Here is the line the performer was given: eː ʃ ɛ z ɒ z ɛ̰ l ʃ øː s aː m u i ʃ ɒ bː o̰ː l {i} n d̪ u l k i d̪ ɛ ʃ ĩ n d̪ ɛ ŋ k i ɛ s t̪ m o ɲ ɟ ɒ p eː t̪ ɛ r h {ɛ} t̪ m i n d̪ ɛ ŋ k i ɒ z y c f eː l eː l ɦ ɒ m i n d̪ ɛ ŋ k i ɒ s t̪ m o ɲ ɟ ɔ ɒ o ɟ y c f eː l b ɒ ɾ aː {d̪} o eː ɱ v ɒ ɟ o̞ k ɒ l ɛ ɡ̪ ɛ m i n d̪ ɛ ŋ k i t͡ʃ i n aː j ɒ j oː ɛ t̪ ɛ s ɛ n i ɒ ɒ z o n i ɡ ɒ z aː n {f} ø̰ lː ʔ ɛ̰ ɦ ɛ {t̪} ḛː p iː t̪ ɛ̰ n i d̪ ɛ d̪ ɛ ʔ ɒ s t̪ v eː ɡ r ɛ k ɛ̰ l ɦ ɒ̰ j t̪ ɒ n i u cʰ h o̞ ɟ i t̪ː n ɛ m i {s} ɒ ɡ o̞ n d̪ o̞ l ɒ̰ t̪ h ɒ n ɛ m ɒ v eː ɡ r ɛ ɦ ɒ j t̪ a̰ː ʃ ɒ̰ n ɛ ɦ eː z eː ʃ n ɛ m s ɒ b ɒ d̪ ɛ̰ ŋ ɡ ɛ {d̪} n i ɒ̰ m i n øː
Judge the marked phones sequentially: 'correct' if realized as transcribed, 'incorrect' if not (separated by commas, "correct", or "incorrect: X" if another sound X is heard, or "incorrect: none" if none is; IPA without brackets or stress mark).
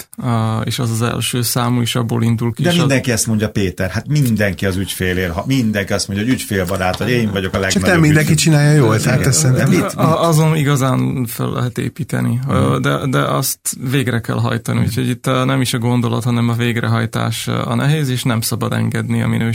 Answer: correct, incorrect: a, incorrect: t̪, correct, correct, incorrect: ʃ, correct